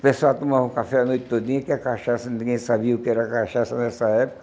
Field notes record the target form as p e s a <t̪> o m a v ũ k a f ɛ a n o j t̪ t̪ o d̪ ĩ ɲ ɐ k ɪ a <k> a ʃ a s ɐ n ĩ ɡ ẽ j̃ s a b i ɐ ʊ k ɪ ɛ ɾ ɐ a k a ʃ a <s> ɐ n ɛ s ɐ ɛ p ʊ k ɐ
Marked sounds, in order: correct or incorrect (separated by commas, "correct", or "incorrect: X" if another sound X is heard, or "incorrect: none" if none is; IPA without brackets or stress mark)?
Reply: correct, correct, correct